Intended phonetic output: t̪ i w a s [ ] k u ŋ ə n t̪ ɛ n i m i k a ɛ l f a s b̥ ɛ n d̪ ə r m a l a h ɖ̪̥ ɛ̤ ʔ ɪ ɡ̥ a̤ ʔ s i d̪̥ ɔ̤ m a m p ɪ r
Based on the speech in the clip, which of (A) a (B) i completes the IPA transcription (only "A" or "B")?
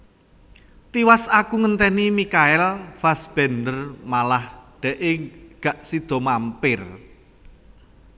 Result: A